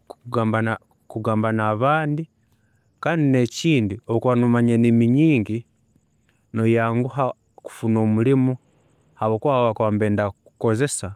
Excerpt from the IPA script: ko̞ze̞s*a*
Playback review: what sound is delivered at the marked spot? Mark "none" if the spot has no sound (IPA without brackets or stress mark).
a